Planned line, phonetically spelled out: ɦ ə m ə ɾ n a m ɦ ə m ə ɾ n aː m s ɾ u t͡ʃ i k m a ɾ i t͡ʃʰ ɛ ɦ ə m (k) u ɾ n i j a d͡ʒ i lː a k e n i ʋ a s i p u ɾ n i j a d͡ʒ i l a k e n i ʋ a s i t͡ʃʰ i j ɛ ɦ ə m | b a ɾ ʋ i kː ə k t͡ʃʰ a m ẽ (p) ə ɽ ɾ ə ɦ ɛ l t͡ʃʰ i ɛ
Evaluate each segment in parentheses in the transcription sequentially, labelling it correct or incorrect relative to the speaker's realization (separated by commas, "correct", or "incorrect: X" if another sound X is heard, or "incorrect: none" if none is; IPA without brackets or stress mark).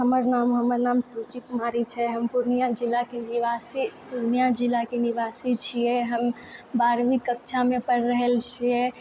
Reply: incorrect: p, correct